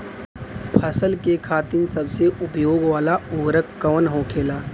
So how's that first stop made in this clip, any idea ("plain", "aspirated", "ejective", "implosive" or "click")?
aspirated